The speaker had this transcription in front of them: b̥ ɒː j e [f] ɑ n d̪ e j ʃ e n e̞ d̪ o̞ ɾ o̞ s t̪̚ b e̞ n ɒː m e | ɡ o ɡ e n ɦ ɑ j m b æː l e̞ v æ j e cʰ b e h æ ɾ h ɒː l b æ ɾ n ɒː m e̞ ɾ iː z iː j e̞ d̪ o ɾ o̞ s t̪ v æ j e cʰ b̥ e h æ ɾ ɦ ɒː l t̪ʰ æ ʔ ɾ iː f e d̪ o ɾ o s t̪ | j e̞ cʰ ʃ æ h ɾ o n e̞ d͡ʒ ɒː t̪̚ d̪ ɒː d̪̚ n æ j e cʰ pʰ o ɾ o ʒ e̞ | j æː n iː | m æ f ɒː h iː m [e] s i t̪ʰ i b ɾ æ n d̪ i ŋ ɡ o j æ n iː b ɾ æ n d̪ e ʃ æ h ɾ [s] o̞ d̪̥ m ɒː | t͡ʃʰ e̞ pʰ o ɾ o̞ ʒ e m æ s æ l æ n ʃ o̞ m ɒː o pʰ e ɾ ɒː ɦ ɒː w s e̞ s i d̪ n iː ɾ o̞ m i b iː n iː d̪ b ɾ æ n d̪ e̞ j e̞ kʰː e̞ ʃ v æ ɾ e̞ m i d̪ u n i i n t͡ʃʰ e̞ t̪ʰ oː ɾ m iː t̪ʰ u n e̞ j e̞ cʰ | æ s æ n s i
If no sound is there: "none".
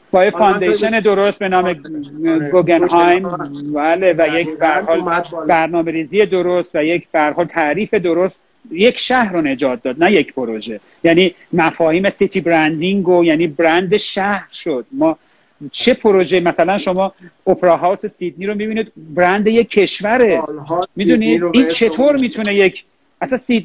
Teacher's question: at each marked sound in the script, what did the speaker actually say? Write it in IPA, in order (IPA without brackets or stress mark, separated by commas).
f, e, ʃ